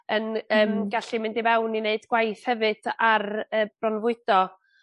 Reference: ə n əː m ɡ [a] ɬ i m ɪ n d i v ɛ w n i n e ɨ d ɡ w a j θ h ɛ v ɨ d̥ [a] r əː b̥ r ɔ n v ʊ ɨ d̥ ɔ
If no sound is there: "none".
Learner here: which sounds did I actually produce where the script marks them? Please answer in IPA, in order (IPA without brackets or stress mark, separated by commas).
a, a